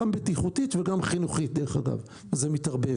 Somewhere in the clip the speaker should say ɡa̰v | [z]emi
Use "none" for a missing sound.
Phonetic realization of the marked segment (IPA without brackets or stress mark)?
z